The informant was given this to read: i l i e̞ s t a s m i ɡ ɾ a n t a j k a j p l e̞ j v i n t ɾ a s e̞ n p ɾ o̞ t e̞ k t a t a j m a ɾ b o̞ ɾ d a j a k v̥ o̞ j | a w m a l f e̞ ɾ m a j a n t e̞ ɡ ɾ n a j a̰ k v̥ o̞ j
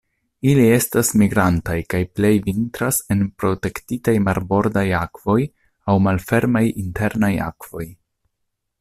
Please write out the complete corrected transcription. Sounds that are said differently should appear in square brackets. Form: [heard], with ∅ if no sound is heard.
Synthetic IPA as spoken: i l i e̞ s t a s m i ɡ ɾ a n t a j k a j p l e̞ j v i n t ɾ a s e̞ n p ɾ o̞ t e̞ k t [i] t a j m a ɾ b o̞ ɾ d a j a k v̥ o̞ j | a w m a l f e̞ ɾ m a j [i] n t e̞ [∅] ɾ n a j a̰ k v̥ o̞ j